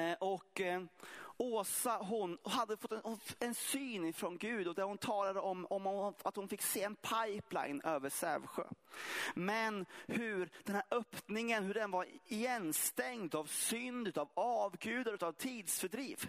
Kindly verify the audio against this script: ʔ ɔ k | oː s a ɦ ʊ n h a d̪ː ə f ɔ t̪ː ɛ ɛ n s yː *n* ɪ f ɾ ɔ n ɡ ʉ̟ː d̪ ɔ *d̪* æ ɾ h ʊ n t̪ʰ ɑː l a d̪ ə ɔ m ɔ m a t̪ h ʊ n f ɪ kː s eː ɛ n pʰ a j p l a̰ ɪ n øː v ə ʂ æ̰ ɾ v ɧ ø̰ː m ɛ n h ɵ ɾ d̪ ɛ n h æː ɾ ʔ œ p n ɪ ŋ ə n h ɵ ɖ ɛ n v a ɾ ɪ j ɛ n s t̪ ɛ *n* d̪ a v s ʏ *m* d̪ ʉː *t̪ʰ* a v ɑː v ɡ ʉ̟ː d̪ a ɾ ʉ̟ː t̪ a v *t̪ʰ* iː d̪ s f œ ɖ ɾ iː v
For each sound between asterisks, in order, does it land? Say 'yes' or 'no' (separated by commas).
yes, yes, no, no, no, yes